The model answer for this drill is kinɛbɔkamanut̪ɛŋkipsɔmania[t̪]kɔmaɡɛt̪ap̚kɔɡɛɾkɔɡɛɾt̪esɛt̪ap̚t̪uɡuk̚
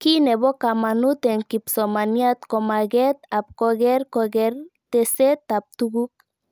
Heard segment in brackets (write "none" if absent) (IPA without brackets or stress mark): t̪